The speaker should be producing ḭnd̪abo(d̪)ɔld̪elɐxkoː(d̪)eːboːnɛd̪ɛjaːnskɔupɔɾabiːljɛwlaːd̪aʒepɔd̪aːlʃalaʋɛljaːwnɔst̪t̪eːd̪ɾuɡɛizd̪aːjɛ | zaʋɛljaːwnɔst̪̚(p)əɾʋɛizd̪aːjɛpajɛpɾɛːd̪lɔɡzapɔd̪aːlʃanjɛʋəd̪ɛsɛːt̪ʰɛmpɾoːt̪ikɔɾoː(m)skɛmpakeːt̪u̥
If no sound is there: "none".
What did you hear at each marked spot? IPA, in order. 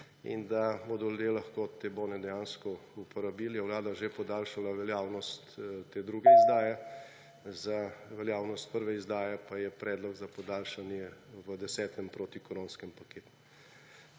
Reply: d̪, t̪, p, n

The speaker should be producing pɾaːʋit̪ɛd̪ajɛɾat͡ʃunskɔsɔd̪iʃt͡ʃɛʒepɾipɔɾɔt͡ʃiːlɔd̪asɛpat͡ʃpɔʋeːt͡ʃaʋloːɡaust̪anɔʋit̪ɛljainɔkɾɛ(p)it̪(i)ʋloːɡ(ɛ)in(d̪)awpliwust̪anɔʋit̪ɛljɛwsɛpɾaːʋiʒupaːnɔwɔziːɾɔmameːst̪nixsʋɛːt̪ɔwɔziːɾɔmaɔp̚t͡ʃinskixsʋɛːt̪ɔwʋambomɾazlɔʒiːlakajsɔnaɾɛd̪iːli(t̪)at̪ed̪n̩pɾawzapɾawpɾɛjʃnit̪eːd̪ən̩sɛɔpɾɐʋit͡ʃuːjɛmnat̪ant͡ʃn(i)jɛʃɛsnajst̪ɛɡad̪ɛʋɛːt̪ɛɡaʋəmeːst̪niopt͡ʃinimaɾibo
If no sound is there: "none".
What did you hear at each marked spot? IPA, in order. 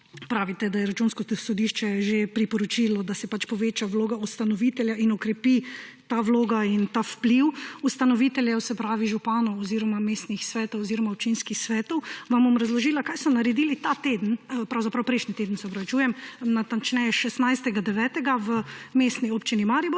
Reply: p, a, a, t̪, t̪, ɛ

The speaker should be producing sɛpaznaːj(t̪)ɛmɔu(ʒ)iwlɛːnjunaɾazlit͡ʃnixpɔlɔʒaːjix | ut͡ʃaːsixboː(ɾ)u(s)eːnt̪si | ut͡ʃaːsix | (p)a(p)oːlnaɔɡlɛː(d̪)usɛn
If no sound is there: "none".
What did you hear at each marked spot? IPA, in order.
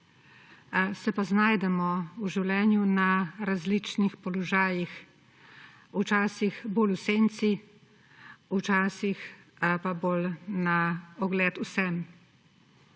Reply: d̪, ʒ, l, s, p, b, t̪

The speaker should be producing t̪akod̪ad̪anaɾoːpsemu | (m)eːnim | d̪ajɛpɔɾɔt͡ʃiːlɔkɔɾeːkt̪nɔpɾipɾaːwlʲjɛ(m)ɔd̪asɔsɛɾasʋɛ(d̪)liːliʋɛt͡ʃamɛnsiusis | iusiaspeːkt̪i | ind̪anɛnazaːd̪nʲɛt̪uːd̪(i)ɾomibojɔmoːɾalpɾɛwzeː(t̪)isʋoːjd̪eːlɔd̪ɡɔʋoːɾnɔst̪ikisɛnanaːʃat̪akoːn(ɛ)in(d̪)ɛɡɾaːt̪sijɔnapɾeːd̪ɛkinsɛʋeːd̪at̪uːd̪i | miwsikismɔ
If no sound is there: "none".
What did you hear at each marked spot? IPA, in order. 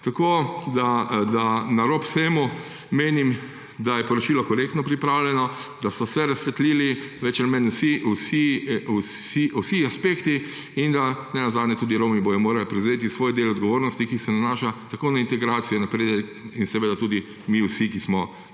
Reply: m, n, t̪, i, t̪, a, t̪

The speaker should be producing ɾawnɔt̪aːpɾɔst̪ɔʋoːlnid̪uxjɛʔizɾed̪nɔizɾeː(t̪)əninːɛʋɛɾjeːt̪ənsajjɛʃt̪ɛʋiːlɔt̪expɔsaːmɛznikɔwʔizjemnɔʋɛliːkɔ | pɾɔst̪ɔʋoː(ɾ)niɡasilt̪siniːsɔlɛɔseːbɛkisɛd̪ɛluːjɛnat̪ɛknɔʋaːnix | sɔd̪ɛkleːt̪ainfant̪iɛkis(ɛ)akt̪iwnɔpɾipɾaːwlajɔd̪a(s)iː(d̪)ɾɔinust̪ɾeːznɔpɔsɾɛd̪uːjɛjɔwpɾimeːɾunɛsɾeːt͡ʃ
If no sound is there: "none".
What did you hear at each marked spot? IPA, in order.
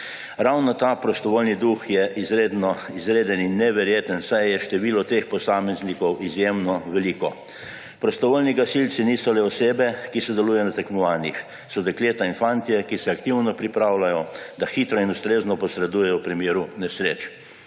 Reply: d̪, l, ɛ, x, t̪

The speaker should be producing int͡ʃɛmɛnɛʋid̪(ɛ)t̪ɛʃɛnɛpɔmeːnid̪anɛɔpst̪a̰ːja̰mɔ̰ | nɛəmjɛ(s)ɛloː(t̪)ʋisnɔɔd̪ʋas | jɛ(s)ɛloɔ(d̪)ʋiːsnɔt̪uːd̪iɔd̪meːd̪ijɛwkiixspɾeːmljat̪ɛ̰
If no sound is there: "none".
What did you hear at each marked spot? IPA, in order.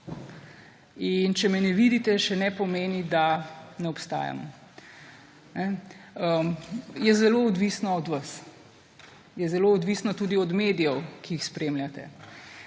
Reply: i, z, d̪, z, d̪

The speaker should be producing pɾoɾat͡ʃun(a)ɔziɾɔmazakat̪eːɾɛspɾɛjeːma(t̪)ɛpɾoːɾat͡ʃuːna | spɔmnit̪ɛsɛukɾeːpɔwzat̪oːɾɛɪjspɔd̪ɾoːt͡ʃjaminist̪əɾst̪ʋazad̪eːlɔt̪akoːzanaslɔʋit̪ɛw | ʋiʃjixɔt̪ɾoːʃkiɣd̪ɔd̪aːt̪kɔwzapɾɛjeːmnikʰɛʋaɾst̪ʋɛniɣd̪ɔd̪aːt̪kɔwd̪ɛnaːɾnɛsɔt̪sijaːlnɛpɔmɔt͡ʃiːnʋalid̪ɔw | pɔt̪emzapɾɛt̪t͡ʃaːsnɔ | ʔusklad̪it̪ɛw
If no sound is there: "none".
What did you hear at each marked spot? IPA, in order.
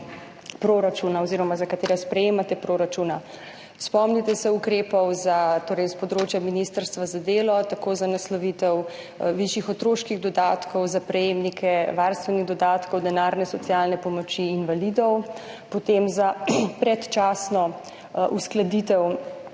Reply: a, t̪

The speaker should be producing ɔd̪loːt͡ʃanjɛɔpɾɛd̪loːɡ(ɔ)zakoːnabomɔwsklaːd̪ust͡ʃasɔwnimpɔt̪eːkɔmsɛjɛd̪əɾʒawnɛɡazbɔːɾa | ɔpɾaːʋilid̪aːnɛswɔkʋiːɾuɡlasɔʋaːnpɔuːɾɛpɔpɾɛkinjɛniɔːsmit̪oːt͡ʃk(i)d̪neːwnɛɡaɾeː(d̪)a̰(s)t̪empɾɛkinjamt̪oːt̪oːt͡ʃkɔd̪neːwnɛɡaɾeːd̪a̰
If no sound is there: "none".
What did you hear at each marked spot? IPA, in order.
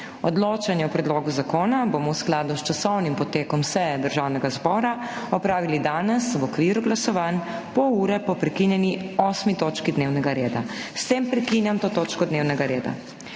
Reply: u, i, d̪, s

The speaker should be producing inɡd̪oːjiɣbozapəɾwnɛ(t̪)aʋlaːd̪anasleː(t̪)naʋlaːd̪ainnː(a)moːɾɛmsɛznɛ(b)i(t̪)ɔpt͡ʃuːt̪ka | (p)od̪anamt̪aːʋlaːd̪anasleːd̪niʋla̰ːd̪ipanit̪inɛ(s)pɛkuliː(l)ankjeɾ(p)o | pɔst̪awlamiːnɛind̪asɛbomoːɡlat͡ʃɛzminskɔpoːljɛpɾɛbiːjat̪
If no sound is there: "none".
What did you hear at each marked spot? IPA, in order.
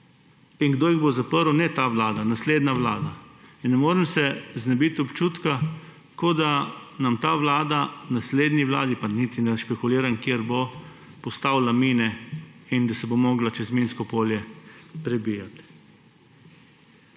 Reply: t̪, d̪, ɛ, b, t̪, k, ʃ, ɾ, b

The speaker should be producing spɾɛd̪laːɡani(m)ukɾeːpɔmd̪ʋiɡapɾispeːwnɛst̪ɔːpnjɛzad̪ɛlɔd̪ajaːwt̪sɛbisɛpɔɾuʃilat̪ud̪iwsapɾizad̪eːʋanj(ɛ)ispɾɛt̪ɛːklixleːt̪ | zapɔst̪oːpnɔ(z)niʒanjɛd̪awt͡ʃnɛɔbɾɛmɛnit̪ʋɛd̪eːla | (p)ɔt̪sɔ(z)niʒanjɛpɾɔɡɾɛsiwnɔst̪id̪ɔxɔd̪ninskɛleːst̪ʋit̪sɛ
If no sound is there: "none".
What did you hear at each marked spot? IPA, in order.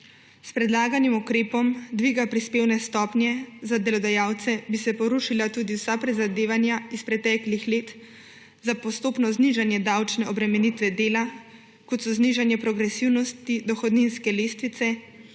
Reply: m, a, z, k, z

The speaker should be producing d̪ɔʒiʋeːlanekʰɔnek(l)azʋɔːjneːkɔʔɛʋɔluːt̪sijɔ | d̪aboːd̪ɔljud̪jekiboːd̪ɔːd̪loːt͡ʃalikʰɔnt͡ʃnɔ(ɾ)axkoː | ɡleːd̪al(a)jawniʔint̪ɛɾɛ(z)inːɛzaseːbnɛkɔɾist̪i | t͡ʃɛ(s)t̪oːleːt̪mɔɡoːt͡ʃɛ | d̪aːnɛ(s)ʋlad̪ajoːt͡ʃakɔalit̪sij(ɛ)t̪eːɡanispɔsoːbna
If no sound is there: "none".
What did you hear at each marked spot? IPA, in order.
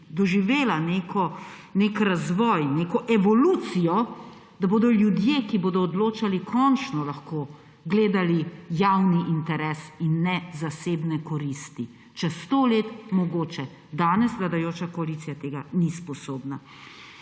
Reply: ɾ, l, i, s, s, s, a

